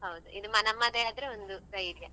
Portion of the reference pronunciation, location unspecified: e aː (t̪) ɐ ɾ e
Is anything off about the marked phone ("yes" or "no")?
yes